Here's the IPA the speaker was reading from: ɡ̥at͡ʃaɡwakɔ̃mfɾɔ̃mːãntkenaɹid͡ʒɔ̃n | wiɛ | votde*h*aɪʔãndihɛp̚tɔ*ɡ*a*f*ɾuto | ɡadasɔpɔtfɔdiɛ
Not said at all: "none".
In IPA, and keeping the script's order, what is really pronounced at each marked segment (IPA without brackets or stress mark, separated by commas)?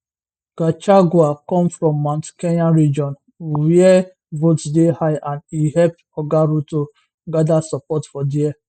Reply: h, ɡ, none